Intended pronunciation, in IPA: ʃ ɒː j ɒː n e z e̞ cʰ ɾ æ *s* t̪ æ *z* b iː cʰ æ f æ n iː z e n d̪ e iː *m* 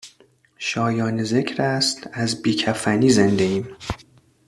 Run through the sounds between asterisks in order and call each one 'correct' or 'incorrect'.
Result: correct, correct, correct

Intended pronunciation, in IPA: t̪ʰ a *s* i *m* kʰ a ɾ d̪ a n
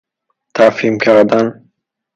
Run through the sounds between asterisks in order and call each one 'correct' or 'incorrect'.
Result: incorrect: f, correct

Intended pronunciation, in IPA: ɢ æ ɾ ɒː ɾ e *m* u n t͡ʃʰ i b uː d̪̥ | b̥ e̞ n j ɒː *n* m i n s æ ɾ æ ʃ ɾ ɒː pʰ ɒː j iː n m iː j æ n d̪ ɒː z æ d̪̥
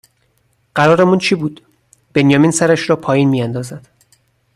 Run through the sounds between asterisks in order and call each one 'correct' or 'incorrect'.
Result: correct, incorrect: none

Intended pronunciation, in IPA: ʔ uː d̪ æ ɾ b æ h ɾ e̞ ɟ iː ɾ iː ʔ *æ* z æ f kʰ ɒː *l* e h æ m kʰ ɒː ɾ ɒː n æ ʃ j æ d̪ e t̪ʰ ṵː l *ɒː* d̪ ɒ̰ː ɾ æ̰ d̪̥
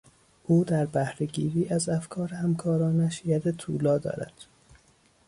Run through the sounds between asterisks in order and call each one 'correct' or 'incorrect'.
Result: correct, incorrect: ɾ, correct

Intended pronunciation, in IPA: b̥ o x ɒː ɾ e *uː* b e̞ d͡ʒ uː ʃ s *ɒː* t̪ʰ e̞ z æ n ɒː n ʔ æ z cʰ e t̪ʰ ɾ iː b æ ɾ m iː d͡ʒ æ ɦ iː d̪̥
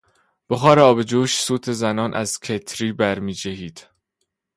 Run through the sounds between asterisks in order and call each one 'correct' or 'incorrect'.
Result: incorrect: ɒː, incorrect: uː

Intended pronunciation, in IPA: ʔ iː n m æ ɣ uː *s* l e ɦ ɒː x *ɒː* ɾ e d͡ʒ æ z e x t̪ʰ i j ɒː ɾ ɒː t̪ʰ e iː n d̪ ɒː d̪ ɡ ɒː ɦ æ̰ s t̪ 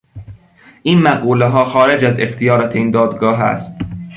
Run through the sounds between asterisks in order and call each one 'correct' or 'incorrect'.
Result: incorrect: none, correct

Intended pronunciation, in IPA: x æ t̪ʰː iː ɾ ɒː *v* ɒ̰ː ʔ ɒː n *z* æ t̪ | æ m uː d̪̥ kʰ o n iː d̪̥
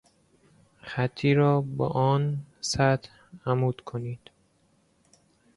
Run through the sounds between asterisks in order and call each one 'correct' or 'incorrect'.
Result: incorrect: b, incorrect: s

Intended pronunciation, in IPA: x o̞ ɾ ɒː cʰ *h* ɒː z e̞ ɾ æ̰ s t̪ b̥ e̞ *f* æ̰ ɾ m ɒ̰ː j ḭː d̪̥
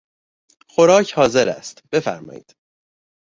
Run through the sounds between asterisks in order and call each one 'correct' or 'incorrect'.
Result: correct, correct

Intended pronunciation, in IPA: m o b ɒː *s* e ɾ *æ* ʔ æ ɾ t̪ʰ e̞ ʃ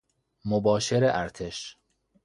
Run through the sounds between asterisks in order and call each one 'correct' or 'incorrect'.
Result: incorrect: ʃ, incorrect: e

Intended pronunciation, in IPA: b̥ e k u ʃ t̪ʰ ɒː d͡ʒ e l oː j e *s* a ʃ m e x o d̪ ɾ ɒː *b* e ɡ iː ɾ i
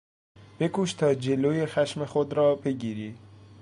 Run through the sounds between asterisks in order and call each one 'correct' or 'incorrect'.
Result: incorrect: x, correct

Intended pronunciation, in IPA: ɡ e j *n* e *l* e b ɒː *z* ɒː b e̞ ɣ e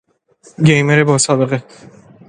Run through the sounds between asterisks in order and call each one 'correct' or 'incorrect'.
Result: incorrect: m, incorrect: ɾ, incorrect: s

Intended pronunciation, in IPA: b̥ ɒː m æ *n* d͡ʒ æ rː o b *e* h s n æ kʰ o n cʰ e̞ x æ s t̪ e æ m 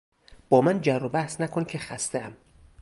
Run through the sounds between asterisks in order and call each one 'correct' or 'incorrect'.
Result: correct, incorrect: æ

